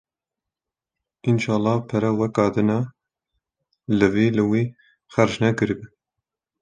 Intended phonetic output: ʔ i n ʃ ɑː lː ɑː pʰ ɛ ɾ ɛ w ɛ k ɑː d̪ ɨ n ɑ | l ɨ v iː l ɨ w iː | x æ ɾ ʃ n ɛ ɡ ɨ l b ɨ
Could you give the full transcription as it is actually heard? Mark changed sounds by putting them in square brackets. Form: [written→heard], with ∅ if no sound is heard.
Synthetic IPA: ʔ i n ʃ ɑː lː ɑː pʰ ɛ ɾ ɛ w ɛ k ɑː d̪ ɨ n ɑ | l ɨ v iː l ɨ w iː | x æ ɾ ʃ n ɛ [ɡ→k] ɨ [l→ɾ] b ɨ